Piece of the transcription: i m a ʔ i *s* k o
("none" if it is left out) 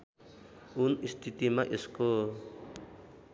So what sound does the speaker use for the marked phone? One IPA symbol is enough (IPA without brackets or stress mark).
s